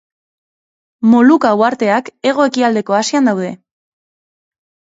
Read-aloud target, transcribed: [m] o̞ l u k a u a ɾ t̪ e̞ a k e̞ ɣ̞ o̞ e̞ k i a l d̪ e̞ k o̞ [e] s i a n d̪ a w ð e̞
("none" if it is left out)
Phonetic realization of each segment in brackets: m, a

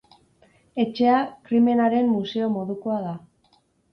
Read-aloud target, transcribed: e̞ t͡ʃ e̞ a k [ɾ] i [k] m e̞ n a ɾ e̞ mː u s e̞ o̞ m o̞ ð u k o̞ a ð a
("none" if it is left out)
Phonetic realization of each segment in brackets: ɾ, none

